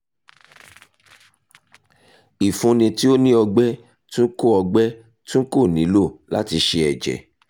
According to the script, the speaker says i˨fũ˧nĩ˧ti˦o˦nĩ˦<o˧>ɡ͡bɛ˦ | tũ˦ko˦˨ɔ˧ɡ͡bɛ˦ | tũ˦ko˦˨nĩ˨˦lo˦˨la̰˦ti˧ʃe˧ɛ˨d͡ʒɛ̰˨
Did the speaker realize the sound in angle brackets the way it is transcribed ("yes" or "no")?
no